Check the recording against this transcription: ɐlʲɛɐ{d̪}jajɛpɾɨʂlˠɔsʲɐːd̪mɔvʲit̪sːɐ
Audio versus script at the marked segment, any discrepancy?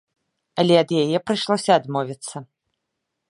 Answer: no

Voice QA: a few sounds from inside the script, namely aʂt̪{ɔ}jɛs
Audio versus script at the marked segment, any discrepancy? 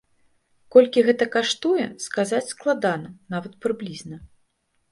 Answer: yes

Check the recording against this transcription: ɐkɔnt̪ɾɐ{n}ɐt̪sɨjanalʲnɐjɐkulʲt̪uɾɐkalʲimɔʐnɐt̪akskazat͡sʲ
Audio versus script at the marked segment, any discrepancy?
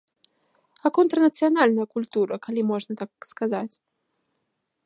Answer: no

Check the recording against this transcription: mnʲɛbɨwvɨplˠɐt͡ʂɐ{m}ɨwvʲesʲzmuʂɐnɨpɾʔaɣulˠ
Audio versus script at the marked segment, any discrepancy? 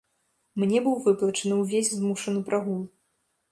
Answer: yes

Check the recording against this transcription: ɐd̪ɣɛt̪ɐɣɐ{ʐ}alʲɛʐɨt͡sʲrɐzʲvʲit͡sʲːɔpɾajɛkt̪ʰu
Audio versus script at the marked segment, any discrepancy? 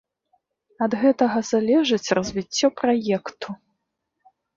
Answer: yes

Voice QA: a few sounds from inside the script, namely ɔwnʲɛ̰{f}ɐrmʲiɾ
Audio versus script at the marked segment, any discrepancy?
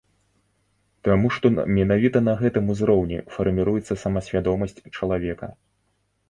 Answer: no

